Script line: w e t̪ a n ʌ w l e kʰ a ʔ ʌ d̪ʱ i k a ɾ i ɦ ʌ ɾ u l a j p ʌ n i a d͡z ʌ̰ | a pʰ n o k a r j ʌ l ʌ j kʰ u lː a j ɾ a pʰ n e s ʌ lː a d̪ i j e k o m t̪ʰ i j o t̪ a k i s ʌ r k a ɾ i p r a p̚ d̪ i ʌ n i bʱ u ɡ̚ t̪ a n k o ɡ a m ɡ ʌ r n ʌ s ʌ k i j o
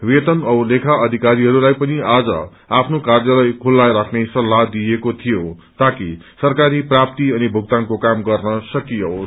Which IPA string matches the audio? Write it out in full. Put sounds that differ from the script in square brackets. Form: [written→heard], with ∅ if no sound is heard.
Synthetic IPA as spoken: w e t̪ [a→ʌ] n ʌ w l e kʰ a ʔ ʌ d̪ʱ i k a ɾ i ɦ ʌ ɾ u l a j p ʌ n i a d͡z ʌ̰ | a pʰ n o k a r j ʌ l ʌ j kʰ u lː a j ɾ a [pʰ→kʰ] n e s ʌ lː a d̪ i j e k o [m→∅] t̪ʰ i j o t̪ a k i s ʌ r k a ɾ i p r a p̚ [d̪→t̪] i ʌ n i bʱ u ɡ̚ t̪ a n k o [ɡ→k] a m ɡ ʌ r n ʌ s ʌ k i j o